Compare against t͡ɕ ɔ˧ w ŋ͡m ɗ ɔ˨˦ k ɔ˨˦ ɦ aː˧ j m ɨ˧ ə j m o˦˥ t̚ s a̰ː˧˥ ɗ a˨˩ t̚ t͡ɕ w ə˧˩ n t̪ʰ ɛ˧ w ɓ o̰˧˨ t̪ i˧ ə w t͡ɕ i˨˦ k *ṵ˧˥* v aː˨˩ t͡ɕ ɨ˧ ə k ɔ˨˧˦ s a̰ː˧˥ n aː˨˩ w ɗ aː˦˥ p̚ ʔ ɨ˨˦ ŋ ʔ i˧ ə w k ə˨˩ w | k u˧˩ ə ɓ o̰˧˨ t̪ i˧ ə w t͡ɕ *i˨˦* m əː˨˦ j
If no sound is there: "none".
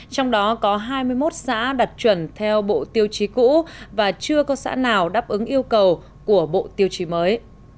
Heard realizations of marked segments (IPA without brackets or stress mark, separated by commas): ṵ˧˥, i˨˦